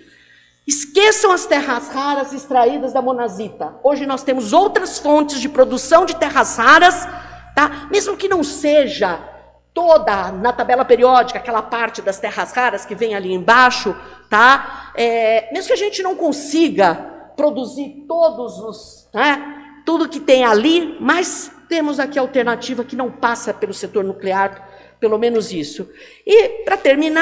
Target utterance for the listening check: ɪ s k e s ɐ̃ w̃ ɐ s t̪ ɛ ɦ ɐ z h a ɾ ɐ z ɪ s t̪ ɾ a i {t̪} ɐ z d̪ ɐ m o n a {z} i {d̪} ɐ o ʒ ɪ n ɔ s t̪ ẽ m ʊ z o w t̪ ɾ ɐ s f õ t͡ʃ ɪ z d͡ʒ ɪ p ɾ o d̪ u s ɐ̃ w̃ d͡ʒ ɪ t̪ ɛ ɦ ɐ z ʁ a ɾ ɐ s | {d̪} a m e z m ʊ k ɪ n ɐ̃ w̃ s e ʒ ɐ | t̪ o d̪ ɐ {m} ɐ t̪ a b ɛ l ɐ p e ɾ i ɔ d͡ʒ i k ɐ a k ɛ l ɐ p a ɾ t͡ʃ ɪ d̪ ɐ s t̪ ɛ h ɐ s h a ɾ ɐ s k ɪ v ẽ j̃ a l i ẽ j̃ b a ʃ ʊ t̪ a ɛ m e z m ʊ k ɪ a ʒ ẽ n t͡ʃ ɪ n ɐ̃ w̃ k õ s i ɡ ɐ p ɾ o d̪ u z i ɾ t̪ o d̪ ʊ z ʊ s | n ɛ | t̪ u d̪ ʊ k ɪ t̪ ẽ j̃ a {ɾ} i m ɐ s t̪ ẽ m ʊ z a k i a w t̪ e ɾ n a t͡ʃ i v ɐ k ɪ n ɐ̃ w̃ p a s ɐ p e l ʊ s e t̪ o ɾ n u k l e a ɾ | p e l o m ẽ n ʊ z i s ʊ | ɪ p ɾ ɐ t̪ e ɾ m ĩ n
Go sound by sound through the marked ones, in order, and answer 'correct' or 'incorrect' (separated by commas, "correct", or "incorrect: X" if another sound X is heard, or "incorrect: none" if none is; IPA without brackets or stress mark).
incorrect: d̪, correct, incorrect: t̪, incorrect: t̪, incorrect: n, incorrect: l